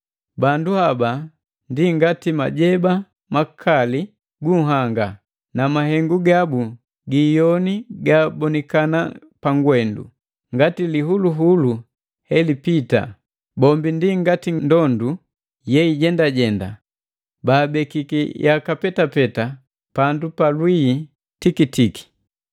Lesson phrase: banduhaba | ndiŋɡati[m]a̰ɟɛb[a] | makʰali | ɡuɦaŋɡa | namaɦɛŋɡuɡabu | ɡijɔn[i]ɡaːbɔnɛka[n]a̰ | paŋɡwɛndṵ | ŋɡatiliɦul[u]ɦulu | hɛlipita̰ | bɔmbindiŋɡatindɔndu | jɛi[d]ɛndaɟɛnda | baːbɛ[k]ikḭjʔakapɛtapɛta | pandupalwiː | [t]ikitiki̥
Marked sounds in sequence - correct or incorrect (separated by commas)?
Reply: correct, correct, correct, correct, correct, incorrect, correct, correct